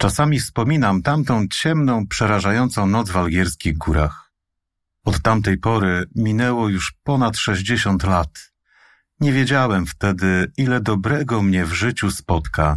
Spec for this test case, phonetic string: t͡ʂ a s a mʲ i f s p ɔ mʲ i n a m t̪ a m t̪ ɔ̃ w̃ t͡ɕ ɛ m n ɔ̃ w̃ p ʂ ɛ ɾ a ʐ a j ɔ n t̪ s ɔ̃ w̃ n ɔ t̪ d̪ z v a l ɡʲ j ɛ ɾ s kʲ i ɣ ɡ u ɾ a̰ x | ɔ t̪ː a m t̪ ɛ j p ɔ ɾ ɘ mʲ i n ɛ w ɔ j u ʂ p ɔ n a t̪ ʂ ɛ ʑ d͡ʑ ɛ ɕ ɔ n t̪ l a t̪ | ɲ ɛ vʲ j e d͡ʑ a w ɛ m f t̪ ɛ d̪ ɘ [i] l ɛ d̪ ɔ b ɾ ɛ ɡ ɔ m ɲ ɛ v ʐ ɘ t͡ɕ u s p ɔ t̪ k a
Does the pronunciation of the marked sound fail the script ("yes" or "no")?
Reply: no